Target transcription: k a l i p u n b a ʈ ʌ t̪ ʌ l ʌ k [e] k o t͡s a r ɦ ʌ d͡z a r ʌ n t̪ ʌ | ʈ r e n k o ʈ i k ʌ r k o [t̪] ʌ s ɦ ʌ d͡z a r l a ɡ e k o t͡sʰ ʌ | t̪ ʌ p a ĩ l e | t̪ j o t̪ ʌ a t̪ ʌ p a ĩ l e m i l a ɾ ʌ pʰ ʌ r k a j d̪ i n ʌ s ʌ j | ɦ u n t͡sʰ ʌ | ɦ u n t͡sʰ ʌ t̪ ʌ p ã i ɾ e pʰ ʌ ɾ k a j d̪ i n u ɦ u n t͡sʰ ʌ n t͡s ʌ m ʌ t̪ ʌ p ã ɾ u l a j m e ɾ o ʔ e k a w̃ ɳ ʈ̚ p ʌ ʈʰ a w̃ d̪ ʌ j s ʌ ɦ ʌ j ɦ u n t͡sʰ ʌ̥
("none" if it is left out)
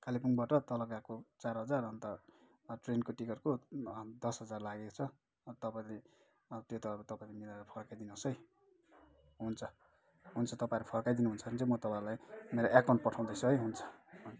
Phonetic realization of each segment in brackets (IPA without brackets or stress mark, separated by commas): a, d̪